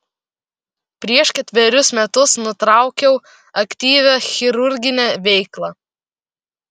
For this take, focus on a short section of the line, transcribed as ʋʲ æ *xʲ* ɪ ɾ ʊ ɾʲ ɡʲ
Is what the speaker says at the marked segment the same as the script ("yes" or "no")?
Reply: yes